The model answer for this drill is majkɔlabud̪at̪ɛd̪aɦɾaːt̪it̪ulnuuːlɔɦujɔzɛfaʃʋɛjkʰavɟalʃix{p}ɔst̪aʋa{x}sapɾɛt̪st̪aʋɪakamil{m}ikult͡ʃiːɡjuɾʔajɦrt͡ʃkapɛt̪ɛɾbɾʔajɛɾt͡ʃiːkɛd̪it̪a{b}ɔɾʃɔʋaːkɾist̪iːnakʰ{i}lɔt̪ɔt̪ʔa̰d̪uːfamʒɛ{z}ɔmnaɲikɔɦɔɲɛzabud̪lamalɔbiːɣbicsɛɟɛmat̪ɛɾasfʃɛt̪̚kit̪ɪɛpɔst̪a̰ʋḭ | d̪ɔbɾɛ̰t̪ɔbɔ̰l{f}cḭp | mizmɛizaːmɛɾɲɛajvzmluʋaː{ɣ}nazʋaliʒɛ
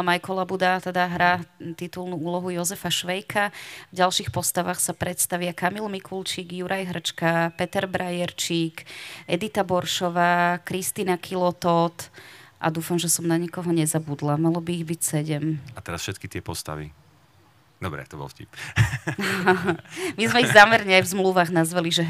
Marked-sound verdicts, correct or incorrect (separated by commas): correct, correct, correct, correct, correct, incorrect, correct, correct